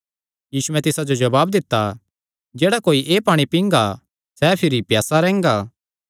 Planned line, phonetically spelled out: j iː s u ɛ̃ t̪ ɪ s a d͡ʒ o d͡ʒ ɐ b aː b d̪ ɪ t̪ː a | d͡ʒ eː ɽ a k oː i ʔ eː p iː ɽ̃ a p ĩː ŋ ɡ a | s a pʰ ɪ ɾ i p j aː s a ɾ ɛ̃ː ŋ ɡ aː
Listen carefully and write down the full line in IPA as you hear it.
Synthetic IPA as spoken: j iː s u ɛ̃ t̪ ɪ s a d͡ʒ o d͡ʒ ɐ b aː b d̪ ɪ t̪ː a | d͡ʒ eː ɽ a k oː i ʔ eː p aː ɽ̃ i p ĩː ŋ ɡ a | s ɛ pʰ ɪ ɾ i p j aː s a ɾ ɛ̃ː ŋ ɡ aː